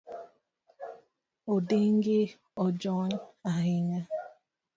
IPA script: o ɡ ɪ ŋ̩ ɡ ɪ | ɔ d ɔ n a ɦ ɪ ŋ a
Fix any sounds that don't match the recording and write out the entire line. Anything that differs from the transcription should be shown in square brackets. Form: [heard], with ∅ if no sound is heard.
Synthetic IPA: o [d] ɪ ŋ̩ ɡ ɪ | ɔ [d͡ʒ] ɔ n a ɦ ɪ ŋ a